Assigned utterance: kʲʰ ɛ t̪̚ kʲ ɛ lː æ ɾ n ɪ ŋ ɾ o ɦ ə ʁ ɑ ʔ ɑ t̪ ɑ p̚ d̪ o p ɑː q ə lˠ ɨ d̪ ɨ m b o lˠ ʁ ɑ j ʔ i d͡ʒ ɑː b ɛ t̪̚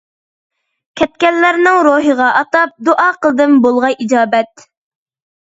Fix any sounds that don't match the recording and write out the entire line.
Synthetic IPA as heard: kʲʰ ɛ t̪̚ kʲ ɛ lː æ ɾ n ɪ ŋ ɾ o ɦ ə ʁ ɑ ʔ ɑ t̪ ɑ p̚ d̪ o ʔ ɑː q ə lˠ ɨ d̪ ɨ m b o lˠ ʁ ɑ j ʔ i d͡ʒ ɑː b ɛ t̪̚